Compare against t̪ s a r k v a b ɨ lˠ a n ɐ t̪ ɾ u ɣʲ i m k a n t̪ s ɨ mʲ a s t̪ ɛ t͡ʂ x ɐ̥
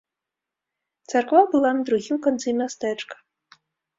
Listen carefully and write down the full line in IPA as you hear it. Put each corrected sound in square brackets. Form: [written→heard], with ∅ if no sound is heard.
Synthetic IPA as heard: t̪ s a r k v a b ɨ lˠ a n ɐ [t̪→d̪] ɾ u ɣʲ i m k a n t̪ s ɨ mʲ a s t̪ ɛ t͡ʂ [x→k] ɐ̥